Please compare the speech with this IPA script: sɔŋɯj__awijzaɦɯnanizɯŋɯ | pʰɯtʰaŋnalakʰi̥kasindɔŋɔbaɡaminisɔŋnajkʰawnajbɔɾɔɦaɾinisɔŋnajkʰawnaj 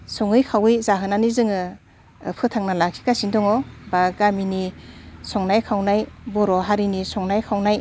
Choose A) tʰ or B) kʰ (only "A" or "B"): B